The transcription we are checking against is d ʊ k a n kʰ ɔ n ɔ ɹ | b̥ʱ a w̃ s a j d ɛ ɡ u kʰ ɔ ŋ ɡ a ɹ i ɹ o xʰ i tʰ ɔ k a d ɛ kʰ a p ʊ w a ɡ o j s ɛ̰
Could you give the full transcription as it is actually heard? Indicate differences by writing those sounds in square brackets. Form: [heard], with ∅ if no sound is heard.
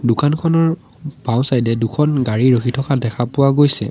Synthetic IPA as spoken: d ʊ k a n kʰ ɔ n ɔ ɹ | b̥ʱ a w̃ s a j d ɛ [d] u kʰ ɔ [n] ɡ a ɹ i ɹ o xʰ i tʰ ɔ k a d ɛ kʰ a p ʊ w a ɡ o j s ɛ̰